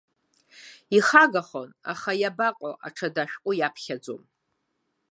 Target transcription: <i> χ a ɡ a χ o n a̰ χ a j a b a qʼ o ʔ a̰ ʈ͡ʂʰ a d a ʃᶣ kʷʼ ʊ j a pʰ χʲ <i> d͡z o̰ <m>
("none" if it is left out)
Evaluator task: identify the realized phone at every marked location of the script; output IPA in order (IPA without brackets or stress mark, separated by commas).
i, a, m